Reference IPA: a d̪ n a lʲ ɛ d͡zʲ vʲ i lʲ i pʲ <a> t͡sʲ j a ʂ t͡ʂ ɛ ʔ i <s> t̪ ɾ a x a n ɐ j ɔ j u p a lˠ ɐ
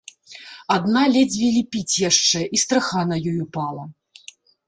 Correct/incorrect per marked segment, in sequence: incorrect: i, correct

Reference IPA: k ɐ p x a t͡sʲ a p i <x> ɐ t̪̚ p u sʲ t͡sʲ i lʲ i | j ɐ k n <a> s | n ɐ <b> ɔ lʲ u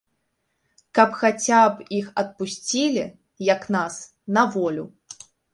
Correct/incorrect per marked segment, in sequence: correct, correct, incorrect: v

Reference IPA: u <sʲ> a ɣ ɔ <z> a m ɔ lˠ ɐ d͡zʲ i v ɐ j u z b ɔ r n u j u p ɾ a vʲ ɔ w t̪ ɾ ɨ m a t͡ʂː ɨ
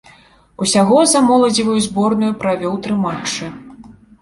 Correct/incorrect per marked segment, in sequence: correct, correct

